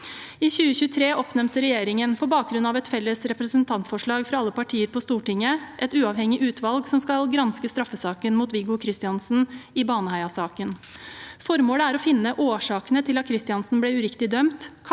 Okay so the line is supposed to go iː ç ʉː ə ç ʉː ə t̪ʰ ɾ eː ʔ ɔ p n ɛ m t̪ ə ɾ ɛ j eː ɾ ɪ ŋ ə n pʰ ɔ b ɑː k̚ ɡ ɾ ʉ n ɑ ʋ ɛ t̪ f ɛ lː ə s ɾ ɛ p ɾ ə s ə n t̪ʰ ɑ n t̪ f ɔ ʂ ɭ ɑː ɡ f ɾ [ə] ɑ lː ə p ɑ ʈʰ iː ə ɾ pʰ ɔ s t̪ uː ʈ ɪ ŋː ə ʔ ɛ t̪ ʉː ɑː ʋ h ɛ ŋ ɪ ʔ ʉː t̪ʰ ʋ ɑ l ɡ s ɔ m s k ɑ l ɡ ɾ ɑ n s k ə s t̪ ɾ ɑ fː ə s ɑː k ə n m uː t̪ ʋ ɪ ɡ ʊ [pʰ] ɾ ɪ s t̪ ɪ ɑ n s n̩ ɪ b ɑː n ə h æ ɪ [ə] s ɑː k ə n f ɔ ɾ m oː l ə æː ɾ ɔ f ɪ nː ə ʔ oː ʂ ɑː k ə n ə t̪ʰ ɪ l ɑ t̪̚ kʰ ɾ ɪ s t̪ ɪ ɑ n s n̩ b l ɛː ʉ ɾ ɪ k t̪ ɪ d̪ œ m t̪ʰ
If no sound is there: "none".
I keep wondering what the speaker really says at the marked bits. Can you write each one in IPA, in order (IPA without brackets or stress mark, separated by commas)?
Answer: ɑ, kʰ, ɑ